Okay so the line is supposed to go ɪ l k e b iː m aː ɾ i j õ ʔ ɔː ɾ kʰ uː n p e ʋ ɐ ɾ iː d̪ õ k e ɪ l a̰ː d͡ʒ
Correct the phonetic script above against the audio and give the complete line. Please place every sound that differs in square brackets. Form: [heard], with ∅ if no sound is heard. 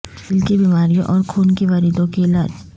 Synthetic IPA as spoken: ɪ l k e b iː m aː ɾ i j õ ʔ ɔː ɾ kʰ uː n [k] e ʋ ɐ ɾ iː d̪ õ k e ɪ l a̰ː d͡ʒ